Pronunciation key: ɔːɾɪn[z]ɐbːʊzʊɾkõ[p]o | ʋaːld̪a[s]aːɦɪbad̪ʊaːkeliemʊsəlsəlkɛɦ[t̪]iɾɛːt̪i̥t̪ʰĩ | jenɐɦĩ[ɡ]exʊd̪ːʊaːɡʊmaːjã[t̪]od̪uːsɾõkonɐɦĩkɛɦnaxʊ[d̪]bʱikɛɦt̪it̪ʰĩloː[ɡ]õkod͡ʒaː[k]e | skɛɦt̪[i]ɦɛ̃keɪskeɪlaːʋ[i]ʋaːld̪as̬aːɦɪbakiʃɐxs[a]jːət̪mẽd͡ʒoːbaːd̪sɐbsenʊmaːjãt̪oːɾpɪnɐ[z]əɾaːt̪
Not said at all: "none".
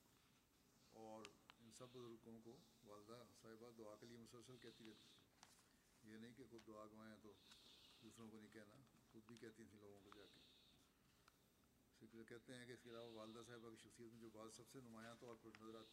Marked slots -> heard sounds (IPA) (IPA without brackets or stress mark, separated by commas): s, k, s, t̪, k, t̪, d̪, ɡ, k, e, a, i, z